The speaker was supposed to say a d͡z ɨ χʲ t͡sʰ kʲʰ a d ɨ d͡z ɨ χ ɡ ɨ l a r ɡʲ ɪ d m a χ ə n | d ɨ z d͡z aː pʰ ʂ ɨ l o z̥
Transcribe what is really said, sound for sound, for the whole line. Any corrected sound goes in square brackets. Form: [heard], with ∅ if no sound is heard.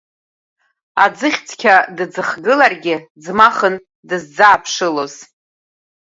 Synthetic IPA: a d͡z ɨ χʲ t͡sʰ kʲʰ a d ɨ d͡z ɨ χ ɡ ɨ l a r ɡʲ ɪ [d͡z] m a χ ə n | d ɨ z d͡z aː pʰ ʂ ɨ l o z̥